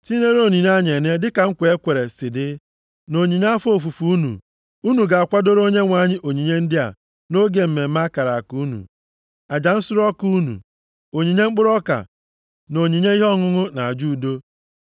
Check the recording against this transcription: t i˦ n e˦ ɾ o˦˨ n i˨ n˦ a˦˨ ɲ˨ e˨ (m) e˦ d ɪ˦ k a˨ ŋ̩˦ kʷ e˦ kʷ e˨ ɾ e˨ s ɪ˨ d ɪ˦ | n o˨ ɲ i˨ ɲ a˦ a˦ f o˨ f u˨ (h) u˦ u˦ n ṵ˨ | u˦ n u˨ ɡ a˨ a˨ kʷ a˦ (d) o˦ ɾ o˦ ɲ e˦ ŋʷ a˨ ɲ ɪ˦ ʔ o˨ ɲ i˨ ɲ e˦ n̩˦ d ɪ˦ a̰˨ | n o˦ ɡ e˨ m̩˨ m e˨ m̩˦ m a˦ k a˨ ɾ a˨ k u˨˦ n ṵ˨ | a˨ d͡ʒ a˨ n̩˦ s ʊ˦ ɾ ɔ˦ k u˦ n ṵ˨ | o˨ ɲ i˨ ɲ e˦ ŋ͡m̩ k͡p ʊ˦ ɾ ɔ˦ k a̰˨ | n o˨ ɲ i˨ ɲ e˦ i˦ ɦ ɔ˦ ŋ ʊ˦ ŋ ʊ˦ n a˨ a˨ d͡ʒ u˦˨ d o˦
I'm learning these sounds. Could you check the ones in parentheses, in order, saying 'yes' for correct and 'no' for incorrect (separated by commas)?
no, no, yes